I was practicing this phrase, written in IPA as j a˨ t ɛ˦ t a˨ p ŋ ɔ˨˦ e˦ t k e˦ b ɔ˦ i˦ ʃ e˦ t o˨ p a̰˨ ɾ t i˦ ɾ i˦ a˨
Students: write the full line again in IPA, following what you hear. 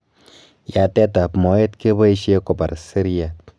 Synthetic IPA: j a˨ t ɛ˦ t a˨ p m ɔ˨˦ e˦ t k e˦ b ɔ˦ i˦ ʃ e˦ k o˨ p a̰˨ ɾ s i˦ ɾ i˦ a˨